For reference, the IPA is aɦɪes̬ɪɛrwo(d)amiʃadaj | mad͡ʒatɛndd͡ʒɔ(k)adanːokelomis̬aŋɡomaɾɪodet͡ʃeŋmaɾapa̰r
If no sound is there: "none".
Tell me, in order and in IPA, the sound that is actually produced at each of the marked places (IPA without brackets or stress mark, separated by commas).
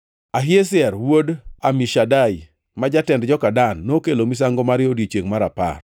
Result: d, k